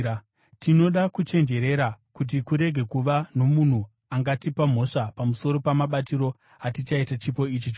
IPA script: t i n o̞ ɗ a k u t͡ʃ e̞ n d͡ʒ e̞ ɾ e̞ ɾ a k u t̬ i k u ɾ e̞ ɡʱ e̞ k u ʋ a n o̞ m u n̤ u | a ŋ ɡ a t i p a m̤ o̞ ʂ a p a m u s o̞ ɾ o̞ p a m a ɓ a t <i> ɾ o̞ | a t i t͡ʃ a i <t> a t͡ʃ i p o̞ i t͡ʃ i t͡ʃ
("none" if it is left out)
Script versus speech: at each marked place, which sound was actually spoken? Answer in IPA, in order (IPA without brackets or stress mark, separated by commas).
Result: i, t